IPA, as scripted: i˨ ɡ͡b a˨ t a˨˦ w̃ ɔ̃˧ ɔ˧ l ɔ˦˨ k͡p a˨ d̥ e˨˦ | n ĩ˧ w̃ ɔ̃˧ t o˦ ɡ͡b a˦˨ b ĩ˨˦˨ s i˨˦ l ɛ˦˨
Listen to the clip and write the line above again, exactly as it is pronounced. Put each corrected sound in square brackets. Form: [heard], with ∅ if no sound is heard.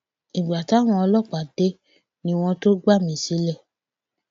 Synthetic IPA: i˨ ɡ͡b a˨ t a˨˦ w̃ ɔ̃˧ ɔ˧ l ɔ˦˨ k͡p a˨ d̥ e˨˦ | n ĩ˧ w̃ ɔ̃˧ t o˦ ɡ͡b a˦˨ [m] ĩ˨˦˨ s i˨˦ l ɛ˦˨